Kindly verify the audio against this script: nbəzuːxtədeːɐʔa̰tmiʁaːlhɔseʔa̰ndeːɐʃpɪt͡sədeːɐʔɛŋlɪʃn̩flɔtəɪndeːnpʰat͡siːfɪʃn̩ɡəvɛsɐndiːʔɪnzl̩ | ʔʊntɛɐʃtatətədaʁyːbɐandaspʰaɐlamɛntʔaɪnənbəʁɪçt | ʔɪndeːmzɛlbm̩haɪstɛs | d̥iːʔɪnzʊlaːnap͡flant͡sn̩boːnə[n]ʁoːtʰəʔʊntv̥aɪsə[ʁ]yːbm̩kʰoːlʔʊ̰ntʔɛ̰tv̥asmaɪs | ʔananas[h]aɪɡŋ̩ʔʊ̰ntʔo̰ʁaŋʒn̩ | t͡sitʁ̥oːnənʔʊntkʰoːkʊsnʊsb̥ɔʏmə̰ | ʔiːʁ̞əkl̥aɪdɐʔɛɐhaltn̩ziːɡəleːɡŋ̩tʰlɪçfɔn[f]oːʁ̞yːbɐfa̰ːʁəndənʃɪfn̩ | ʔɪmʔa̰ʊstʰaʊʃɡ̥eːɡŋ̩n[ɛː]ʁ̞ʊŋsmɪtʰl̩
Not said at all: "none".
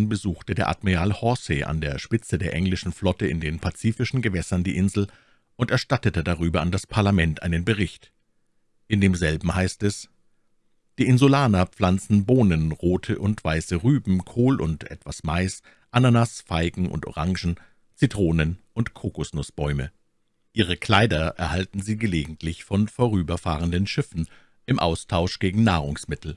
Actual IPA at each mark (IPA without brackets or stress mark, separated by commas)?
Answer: n, ʁ, f, f, aː